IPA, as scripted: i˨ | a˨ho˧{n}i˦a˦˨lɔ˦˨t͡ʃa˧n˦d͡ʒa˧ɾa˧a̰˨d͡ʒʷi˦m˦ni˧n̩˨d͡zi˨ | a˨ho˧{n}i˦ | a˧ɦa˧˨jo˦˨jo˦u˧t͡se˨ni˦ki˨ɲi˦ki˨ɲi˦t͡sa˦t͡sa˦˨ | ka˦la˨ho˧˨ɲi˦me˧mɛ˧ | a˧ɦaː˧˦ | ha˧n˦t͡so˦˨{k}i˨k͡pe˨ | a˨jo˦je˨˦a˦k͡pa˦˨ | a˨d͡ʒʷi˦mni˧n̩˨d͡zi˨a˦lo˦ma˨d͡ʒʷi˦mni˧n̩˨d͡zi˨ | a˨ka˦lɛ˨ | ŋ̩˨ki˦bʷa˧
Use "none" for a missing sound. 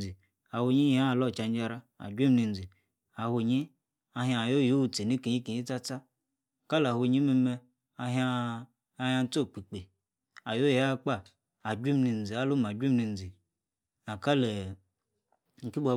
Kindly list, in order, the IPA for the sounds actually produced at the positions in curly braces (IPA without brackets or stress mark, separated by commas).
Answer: ɲ, ɲ, k͡p